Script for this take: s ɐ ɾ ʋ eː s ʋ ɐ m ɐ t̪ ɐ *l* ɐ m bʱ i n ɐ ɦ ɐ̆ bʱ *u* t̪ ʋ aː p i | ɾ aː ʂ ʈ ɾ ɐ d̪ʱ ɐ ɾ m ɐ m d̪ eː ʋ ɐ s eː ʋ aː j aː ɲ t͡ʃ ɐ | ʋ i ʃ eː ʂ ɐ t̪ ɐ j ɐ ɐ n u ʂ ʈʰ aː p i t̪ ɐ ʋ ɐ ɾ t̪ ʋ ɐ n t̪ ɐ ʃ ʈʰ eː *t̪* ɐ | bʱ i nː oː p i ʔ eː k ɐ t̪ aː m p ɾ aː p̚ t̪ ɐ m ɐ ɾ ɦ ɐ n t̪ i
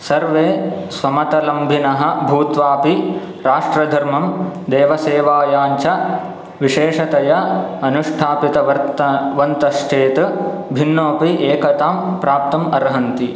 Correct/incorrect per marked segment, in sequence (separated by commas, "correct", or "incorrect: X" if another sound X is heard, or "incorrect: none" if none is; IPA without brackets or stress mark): correct, incorrect: uː, correct